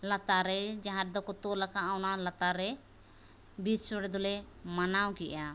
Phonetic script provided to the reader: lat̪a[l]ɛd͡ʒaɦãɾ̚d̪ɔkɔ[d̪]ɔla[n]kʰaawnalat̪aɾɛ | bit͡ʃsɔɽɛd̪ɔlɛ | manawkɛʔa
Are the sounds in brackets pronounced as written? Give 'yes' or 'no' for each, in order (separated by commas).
no, no, no